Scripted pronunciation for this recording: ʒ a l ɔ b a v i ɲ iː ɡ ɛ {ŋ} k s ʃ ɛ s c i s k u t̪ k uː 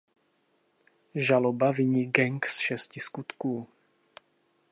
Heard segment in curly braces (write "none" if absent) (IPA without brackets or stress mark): ŋ